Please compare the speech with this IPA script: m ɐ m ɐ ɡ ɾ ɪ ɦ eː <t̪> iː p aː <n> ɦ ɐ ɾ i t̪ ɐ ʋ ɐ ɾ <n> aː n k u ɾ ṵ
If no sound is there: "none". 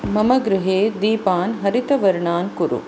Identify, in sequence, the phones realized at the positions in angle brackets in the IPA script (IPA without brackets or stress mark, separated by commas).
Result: d̪, n, ɳ